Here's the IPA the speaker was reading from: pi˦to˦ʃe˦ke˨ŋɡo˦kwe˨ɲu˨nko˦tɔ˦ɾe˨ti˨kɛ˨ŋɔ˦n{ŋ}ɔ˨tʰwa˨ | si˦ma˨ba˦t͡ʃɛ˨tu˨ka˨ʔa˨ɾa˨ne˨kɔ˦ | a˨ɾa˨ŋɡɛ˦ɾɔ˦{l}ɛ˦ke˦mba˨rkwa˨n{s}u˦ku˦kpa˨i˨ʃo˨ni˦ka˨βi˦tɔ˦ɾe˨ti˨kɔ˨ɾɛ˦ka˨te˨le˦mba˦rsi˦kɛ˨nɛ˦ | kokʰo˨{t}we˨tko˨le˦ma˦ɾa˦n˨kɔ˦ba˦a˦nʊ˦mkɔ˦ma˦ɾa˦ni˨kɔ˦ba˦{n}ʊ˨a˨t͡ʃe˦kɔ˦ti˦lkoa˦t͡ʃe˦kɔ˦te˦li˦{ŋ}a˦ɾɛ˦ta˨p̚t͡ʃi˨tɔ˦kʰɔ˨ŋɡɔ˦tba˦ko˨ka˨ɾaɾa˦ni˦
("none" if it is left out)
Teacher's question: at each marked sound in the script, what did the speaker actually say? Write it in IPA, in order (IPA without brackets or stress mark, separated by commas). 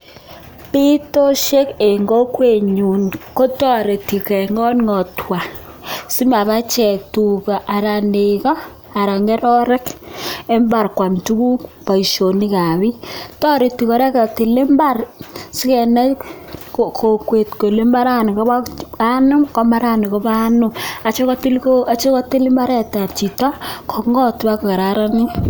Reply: ŋ, ɾ, t, k, n, m